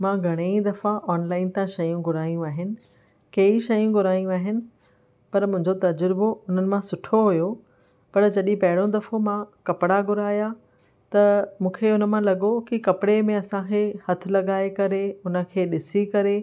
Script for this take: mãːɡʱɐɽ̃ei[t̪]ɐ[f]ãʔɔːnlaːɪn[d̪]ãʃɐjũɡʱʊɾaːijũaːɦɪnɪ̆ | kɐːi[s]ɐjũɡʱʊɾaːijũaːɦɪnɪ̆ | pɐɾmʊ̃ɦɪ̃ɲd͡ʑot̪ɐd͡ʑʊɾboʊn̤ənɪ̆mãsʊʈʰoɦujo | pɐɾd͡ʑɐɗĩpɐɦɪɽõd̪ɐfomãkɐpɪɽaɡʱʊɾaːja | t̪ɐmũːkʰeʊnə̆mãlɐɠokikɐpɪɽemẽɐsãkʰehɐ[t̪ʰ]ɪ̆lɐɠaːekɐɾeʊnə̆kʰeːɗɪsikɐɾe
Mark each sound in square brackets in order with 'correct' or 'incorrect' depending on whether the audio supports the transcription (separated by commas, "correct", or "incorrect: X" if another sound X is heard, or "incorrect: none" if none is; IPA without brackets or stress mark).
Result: incorrect: d̪, correct, incorrect: t̪, incorrect: ʃ, correct